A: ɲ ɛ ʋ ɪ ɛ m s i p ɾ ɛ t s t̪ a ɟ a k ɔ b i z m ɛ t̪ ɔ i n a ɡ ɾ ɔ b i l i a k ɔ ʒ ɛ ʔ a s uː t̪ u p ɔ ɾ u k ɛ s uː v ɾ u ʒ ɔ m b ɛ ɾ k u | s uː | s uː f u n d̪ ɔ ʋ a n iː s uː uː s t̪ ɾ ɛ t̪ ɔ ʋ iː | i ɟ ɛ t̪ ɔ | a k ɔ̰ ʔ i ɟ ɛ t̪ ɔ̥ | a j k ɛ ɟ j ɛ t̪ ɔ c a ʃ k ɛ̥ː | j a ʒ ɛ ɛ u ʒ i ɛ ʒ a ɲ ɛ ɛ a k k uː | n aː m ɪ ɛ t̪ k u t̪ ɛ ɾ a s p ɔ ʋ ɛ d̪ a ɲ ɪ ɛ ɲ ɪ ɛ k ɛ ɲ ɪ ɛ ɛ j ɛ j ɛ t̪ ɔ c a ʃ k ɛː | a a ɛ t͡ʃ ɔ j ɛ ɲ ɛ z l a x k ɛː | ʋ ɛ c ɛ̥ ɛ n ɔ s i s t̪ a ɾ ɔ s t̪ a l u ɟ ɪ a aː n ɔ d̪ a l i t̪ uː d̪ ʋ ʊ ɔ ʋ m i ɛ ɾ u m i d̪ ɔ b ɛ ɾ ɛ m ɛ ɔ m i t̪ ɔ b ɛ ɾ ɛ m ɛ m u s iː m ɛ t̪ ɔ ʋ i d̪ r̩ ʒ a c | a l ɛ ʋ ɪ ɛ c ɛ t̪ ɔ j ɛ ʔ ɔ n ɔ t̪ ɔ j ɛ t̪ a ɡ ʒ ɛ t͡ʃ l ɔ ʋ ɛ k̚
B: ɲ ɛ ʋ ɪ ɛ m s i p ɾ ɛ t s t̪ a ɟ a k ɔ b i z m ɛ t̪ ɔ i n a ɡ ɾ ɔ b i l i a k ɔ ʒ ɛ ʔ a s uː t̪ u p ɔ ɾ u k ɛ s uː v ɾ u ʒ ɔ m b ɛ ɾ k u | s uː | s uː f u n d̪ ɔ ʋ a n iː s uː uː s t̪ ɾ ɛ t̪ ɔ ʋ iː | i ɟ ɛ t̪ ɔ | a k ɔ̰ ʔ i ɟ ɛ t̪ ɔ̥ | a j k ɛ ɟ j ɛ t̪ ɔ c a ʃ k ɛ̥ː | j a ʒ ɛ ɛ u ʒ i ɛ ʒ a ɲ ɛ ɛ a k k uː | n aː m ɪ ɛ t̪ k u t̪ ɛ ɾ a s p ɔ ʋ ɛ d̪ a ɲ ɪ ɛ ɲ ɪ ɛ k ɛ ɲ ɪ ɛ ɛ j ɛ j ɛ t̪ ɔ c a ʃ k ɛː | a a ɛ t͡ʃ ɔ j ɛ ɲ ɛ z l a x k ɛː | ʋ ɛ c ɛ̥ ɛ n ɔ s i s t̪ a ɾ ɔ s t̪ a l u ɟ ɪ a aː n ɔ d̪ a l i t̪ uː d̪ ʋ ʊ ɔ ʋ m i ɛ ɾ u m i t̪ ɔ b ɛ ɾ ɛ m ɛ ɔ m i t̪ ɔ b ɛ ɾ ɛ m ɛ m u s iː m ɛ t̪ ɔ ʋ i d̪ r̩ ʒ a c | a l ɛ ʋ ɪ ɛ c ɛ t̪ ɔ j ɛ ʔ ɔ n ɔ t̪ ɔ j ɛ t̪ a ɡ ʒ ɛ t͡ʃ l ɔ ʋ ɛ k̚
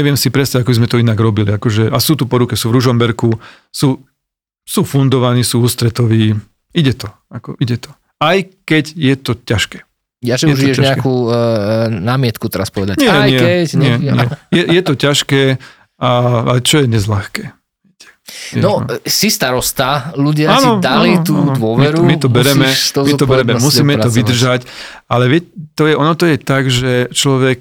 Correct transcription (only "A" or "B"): B